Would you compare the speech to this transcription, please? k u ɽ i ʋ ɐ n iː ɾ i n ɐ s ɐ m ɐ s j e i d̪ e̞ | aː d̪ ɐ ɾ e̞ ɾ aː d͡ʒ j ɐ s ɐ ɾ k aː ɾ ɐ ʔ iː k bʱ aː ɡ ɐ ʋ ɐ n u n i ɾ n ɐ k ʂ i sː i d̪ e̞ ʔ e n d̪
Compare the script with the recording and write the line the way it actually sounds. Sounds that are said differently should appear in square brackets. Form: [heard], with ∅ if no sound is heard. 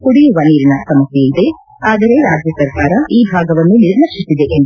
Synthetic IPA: k u ɽ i ʋ ɐ n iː ɾ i n ɐ s ɐ m ɐ s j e i d̪ e̞ | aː d̪ ɐ ɾ e̞ ɾ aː d͡ʒ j ɐ s ɐ ɾ k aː ɾ ɐ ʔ iː [∅] bʱ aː ɡ ɐ ʋ ɐ [nː] u n i ɾ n ɐ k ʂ i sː i d̪ e̞ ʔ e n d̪